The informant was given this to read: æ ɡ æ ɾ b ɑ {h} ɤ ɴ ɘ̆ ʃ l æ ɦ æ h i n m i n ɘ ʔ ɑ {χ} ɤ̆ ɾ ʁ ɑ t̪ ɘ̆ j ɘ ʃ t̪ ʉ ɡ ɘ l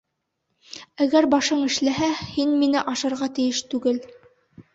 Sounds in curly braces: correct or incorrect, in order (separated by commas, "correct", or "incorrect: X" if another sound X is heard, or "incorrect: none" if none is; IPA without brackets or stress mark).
incorrect: ʃ, incorrect: ʃ